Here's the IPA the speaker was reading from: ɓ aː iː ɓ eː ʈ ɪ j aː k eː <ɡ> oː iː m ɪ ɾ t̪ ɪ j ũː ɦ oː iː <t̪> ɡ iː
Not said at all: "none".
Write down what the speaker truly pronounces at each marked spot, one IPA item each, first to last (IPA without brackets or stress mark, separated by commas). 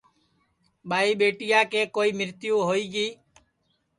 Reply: k, none